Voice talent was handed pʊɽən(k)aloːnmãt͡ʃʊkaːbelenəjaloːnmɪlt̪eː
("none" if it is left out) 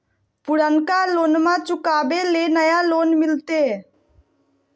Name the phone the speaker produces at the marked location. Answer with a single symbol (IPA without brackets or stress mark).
k